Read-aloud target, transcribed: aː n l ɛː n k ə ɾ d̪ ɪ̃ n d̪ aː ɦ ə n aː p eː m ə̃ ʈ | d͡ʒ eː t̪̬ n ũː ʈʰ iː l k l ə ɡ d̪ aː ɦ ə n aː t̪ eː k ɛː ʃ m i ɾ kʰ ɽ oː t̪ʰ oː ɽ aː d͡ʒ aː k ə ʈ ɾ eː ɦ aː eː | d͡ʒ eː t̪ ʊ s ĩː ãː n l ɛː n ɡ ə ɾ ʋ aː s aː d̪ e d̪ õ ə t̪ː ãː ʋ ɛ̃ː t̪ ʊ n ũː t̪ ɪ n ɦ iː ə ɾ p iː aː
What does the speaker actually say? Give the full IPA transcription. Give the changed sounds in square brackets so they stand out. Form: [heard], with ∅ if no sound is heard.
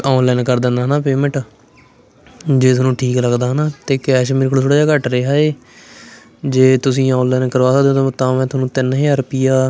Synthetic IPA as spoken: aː n l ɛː n k ə ɾ d̪ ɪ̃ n d̪ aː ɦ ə n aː p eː m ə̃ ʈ | d͡ʒ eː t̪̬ n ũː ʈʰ iː [∅] k l ə ɡ d̪ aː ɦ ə n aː t̪ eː k ɛː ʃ m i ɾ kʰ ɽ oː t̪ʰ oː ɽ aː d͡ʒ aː k ə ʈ ɾ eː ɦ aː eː | d͡ʒ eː t̪ ʊ s ĩː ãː n l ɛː n [k] ə ɾ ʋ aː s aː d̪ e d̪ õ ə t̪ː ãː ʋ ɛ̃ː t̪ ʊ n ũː t̪ ɪ n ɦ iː ə ɾ p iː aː